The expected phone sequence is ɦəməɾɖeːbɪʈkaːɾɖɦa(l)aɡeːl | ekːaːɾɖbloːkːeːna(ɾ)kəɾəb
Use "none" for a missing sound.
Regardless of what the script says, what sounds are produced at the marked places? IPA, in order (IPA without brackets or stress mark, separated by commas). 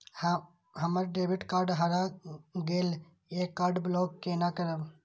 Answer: ɾ, none